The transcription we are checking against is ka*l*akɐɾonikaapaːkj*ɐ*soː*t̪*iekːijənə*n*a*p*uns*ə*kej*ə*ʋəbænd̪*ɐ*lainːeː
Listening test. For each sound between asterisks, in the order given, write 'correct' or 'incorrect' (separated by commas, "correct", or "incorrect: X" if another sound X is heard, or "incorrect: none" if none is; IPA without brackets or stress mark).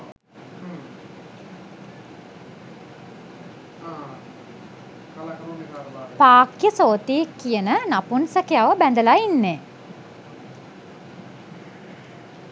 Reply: correct, incorrect: ə, correct, correct, correct, correct, incorrect: a, incorrect: ə